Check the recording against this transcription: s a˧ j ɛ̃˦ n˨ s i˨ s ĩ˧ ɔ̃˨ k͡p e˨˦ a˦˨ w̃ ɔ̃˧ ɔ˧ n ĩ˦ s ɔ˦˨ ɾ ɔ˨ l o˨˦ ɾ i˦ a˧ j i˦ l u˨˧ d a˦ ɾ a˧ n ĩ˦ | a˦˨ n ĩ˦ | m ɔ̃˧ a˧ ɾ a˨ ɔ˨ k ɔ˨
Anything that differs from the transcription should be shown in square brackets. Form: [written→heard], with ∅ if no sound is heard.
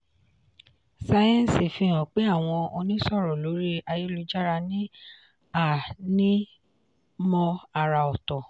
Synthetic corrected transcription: s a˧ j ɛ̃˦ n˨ s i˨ [s→f] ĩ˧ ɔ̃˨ k͡p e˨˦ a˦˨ w̃ ɔ̃˧ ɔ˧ n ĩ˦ s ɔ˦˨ ɾ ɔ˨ l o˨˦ ɾ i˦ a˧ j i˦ l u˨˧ [d→d͡ʒ] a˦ ɾ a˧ n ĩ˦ | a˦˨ n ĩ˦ | m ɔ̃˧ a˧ ɾ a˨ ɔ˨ [k→t] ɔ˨